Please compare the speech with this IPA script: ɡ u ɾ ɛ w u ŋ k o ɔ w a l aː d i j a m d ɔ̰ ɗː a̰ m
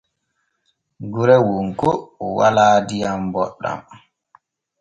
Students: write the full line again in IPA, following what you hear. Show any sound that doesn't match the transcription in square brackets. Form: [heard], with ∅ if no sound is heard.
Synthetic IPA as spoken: ɡ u ɾ ɛ w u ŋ k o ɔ w a l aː d i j a m [b] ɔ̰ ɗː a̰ m